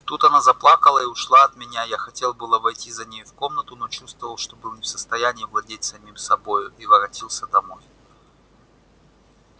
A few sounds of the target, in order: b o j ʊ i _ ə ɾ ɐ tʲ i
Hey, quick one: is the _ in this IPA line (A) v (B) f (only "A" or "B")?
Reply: A